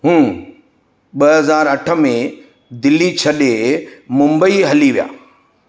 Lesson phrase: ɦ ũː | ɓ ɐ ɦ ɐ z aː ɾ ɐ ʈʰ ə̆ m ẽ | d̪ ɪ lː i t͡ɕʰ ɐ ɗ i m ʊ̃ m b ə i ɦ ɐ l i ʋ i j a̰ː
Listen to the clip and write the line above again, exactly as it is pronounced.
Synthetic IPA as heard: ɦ ũː | ɓ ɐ ɦ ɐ z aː ɾ ɐ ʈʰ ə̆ m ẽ | d̪ ɪ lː i t͡ɕʰ ɐ ɗ e m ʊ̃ m b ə i ɦ ɐ l i ʋ i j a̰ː